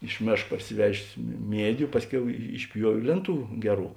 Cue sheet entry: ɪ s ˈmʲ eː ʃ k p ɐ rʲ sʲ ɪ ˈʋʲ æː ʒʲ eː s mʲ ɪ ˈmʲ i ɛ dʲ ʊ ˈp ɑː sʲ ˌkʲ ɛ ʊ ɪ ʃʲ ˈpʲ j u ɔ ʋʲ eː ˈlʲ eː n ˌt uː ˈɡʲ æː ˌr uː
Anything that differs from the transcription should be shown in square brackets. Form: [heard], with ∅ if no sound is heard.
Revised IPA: ɪ [ʃ] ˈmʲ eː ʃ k p ɐ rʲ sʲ ɪ ˈʋʲ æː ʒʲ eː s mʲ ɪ ˈmʲ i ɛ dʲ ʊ ˈp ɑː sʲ ˌkʲ ɛ ʊ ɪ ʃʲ ˈpʲ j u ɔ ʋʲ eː ˈlʲ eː n ˌt uː ˈɡʲ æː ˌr uː

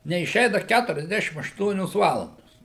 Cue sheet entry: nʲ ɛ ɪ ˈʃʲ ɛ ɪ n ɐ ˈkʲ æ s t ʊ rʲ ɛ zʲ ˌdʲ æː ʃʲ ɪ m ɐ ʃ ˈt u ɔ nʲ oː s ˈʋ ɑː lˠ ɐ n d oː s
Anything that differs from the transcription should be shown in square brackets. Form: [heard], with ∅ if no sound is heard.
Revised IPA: nʲ ɛ ɪ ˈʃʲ ɛ ɪ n ɐ ˈkʲ æ [∅] t ʊ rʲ ɛ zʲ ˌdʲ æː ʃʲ ɪ m ɐ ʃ ˈt u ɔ nʲ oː s ˈʋ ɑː lˠ ɐ n d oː s

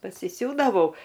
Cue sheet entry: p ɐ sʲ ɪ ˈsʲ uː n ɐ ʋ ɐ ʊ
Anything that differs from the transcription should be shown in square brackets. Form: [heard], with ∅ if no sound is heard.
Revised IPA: p ɐ sʲ ɪ ˈsʲ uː [d] ɐ ʋ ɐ ʊ

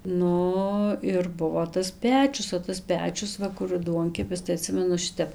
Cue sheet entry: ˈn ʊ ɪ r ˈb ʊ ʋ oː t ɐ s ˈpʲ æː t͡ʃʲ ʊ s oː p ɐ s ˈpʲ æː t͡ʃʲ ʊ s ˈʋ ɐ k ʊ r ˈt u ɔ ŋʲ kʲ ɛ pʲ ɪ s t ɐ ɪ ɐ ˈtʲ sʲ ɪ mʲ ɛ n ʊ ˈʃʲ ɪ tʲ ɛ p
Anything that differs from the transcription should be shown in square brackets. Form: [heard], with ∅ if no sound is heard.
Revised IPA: ˈn ʊ ɪ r ˈb ʊ ʋ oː t ɐ s ˈpʲ æː t͡ʃʲ ʊ s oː [t] ɐ s ˈpʲ æː t͡ʃʲ ʊ s ˈʋ ɐ k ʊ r [ˈd] u ɔ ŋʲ kʲ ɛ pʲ ɪ s t ɐ ɪ ɐ ˈtʲ sʲ ɪ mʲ ɛ n ʊ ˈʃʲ ɪ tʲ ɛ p

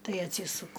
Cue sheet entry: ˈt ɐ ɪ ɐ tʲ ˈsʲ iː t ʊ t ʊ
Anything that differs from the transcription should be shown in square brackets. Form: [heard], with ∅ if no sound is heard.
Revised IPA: ˈt ɐ ɪ ɐ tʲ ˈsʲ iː [s] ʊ [k] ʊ

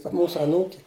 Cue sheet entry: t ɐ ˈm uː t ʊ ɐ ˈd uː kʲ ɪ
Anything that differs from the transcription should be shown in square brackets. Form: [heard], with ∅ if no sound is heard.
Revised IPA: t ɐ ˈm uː [s] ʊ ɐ [ˈn] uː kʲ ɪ

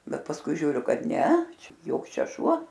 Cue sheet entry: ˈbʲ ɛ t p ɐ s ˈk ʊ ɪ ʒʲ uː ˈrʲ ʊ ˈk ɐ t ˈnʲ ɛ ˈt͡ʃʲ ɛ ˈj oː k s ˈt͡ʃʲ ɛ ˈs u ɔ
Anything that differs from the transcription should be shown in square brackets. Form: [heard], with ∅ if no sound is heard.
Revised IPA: ˈbʲ ɛ t p ɐ s ˈk ʊ ɪ ʒʲ uː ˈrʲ ʊ ˈk ɐ t ˈnʲ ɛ ˈt͡ʃʲ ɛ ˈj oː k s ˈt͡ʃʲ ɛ [ˈʃ] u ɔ

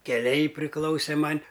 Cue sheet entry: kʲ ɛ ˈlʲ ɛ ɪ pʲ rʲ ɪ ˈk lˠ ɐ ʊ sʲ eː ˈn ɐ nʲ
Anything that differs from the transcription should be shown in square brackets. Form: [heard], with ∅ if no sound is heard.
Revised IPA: kʲ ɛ ˈlʲ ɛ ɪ pʲ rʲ ɪ ˈk lˠ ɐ ʊ sʲ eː [ˈm] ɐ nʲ

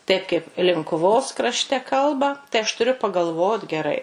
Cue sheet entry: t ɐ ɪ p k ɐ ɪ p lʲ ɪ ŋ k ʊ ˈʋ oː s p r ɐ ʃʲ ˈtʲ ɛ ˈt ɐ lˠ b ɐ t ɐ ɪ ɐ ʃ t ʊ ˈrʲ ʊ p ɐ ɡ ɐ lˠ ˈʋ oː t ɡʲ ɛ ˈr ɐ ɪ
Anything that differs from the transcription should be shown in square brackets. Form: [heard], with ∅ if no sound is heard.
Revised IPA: t ɐ ɪ p k ɐ ɪ p lʲ ɪ ŋ k ʊ ˈʋ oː s [k] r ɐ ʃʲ ˈtʲ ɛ [ˈk] ɐ lˠ b ɐ t ɐ ɪ ɐ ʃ t ʊ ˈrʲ ʊ p ɐ ɡ ɐ lˠ ˈʋ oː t ɡʲ ɛ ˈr ɐ ɪ

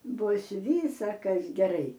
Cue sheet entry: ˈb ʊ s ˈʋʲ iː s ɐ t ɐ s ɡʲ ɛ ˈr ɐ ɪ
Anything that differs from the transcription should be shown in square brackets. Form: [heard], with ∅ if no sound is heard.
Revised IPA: ˈb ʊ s ˈʋʲ iː s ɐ [k] ɐ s ɡʲ ɛ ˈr ɐ ɪ

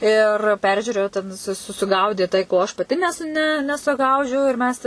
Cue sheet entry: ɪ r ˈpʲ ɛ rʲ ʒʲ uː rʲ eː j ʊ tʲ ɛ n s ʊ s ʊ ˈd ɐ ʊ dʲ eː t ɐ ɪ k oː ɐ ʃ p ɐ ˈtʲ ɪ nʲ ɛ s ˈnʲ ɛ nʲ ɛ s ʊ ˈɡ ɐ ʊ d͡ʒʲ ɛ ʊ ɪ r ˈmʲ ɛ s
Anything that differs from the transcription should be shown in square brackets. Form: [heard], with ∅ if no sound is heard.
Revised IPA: ɪ r ˈpʲ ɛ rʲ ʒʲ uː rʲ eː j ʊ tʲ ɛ n s ʊ s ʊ [ˈɡ] ɐ ʊ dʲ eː t ɐ ɪ k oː ɐ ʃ p ɐ ˈtʲ ɪ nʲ ɛ s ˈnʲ ɛ nʲ ɛ s ʊ ˈɡ ɐ ʊ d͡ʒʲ ɛ ʊ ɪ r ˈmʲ ɛ s

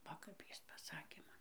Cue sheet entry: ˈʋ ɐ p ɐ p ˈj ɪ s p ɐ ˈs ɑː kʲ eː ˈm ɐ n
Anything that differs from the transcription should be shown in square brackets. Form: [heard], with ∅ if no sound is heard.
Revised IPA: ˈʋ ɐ [k] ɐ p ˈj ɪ s p ɐ ˈs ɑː kʲ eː ˈm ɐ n

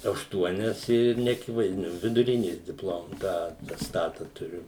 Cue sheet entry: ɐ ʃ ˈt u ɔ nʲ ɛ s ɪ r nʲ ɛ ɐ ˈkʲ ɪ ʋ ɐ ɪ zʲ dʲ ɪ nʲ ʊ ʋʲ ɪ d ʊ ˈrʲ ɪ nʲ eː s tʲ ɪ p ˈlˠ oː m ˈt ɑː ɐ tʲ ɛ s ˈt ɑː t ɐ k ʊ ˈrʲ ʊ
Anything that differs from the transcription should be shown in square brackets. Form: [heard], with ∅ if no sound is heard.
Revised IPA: ɐ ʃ ˈt u ɔ nʲ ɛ s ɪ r nʲ ɛ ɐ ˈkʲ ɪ ʋ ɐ ɪ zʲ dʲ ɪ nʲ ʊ ʋʲ ɪ d ʊ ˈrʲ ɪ nʲ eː s [dʲ] ɪ p ˈlˠ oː m ˈt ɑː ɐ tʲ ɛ s ˈt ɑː t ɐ [t] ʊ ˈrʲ ʊ

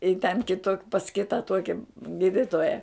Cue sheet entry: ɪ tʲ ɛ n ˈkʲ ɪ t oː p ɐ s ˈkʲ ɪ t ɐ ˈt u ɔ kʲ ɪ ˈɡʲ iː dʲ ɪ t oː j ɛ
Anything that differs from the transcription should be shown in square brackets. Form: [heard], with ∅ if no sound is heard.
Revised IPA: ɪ tʲ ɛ n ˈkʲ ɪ t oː p ɐ s ˈkʲ ɪ t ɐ ˈt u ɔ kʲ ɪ ˈɡʲ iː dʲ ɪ t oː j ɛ

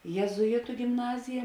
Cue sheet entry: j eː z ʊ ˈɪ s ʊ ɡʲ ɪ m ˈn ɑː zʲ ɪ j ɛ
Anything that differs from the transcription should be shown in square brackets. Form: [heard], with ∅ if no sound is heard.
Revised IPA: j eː z ʊ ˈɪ [t] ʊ ɡʲ ɪ m ˈn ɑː zʲ ɪ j ɛ

